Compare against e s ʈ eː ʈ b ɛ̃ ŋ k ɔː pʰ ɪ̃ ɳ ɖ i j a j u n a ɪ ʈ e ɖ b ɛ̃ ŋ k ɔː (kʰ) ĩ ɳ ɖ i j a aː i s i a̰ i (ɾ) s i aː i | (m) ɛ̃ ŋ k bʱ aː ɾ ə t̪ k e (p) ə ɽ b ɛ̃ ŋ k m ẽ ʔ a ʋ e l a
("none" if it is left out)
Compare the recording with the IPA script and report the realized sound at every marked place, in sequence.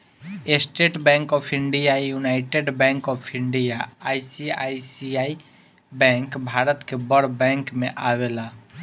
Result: pʰ, none, b, b

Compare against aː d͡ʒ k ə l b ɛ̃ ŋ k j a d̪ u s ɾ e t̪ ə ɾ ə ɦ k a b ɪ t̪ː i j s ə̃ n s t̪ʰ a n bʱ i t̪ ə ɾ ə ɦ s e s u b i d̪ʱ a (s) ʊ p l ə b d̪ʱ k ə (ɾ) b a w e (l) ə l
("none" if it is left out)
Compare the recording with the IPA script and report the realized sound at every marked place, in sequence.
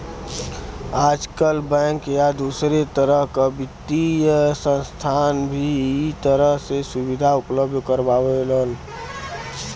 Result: none, ɾ, l

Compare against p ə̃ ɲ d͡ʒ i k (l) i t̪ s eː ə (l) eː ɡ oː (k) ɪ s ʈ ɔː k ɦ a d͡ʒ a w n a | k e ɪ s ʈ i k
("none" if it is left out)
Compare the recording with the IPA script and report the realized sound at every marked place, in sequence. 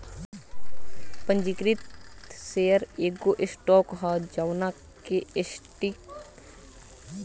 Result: ɾ, ɾ, ʔ

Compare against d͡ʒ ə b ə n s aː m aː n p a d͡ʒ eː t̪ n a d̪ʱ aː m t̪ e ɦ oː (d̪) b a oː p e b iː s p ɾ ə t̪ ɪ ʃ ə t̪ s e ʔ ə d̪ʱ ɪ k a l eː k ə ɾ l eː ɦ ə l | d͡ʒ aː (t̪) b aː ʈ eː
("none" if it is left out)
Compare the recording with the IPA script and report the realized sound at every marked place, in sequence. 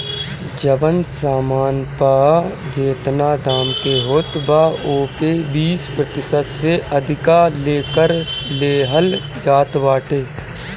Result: t̪, t̪

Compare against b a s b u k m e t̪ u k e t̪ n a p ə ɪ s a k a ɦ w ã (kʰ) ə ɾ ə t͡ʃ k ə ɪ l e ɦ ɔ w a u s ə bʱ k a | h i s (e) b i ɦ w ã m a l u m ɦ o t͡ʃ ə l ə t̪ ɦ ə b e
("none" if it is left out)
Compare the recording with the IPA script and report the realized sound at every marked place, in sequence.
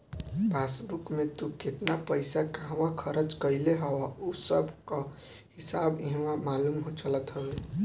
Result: kʰ, a

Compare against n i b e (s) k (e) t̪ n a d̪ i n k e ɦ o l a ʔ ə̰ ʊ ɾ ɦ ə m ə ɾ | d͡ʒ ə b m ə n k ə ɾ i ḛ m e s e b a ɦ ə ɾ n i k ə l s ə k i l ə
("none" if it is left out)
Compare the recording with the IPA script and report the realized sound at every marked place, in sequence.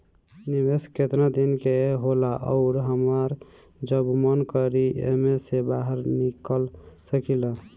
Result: s, e

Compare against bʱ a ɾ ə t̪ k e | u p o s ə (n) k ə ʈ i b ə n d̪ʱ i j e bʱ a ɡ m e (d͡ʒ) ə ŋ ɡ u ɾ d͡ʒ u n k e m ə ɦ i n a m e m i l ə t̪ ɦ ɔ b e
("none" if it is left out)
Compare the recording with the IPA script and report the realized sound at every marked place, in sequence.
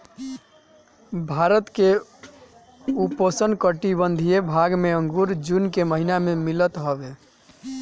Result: n, none

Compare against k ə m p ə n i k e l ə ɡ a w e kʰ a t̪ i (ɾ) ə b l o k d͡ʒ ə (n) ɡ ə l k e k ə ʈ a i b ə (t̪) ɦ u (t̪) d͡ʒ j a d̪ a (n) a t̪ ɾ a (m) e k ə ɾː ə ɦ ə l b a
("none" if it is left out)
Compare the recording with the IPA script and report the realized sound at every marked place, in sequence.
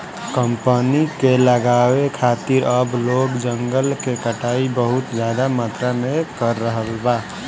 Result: ɾ, ŋ, none, t̪, m, m

